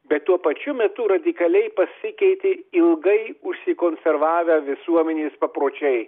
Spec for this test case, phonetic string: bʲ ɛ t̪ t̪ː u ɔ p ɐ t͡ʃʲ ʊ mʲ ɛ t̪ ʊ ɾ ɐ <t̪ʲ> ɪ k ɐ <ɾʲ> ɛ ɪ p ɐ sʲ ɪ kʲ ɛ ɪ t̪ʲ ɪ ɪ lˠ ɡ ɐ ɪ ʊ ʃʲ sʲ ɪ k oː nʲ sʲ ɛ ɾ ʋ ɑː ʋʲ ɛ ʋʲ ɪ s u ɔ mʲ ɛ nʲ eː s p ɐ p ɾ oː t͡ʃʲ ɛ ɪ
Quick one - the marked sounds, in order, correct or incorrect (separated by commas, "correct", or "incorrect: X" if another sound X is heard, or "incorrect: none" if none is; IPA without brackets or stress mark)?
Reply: incorrect: d̪ʲ, incorrect: lʲ